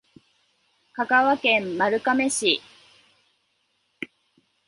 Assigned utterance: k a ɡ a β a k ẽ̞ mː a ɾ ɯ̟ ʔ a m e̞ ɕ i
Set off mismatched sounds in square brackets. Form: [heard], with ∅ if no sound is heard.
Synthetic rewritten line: k a [k] a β a k ẽ̞ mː a ɾ ɯ̟ [k] a m e̞ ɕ i